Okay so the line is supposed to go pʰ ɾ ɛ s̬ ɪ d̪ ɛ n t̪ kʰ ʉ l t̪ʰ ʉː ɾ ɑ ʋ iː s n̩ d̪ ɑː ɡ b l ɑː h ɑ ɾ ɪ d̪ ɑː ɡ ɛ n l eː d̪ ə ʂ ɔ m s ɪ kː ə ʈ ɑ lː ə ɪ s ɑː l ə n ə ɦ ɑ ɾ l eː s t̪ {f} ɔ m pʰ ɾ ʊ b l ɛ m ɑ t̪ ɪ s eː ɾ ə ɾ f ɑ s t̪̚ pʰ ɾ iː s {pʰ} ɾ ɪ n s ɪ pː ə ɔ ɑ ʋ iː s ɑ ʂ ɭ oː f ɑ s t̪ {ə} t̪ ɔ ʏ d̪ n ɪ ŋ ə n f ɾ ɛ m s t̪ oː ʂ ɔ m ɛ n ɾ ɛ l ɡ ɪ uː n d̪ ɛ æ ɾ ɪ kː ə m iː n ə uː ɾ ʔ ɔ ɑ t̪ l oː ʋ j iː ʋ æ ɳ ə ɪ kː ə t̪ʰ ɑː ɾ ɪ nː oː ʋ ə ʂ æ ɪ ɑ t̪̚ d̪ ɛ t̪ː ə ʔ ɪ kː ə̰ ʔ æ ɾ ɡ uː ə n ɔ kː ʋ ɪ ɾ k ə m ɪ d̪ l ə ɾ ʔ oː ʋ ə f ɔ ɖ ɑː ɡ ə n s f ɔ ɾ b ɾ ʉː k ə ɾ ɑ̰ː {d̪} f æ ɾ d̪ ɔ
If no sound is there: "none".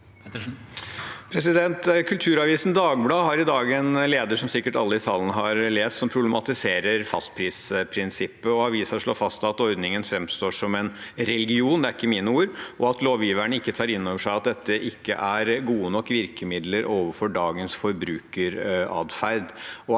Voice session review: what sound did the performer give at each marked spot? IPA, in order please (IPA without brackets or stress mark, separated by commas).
s, pʰ, ɑ, d̪